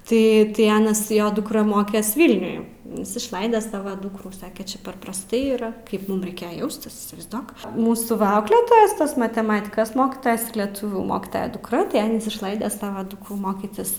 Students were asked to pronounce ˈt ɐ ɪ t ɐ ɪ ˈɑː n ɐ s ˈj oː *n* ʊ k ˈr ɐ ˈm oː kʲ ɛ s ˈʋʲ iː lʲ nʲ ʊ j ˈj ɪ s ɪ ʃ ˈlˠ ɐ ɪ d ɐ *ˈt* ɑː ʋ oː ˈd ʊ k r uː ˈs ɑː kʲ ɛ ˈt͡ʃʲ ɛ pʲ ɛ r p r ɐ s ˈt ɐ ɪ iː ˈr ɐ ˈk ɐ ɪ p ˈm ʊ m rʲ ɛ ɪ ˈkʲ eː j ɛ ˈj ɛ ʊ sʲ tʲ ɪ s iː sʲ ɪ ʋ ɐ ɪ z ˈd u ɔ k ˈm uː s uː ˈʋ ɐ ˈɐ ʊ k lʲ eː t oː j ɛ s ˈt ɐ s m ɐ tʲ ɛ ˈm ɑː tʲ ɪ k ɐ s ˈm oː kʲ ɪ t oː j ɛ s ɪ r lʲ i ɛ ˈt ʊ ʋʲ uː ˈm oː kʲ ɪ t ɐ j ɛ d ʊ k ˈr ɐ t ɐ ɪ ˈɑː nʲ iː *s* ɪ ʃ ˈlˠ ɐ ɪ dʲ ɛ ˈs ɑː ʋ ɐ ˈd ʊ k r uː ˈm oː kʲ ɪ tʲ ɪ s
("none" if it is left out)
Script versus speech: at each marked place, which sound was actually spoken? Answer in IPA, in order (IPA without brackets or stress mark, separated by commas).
d, s, s